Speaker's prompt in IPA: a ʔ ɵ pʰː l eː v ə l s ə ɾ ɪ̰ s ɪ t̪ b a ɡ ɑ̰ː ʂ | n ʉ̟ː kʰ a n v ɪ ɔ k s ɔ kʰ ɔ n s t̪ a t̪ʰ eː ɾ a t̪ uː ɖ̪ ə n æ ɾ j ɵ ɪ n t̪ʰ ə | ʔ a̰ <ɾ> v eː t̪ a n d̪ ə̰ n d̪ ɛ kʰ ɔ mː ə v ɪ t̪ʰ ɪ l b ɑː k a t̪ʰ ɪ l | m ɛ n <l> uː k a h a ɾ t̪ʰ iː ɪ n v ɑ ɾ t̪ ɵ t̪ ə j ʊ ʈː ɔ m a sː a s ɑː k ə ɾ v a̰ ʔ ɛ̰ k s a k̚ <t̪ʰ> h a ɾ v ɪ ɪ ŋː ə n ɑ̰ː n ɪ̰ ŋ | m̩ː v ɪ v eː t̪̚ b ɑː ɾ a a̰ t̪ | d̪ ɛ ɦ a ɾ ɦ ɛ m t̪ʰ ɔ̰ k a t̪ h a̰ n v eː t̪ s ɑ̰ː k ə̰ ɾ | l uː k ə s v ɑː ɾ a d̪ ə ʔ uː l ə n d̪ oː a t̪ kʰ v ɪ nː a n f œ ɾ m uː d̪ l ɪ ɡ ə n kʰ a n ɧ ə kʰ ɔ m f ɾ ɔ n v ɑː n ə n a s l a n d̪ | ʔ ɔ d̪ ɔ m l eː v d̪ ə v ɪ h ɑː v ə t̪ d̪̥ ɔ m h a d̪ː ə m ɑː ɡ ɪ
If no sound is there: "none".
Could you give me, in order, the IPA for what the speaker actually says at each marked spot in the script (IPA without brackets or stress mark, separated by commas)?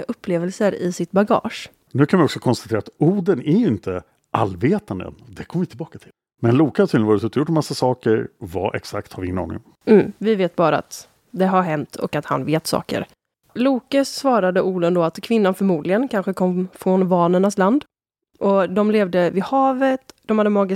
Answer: l, l, t̪